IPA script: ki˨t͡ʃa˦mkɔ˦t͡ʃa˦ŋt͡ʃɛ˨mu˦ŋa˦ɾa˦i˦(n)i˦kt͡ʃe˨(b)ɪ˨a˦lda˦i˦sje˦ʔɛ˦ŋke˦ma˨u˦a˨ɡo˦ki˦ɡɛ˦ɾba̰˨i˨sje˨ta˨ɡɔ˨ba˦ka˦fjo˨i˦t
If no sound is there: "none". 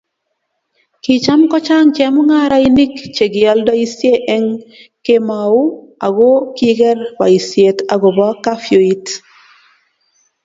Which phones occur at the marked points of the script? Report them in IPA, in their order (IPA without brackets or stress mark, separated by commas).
n, ɡ